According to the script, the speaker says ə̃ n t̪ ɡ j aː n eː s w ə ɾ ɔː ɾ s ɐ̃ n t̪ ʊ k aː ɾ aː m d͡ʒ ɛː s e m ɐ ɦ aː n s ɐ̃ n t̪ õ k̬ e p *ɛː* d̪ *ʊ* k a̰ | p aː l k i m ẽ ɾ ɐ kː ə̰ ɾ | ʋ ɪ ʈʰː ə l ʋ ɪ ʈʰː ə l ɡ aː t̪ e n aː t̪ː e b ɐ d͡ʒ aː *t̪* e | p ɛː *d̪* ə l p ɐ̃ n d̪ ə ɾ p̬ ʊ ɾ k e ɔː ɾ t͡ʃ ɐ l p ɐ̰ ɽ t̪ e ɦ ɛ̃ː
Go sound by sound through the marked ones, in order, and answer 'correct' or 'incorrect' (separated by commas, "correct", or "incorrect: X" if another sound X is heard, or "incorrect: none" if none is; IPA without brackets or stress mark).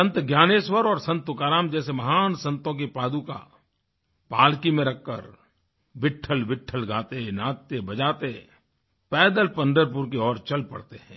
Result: incorrect: aː, incorrect: u, correct, correct